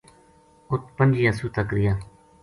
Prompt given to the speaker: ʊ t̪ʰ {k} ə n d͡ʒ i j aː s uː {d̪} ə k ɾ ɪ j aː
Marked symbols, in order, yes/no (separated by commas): no, no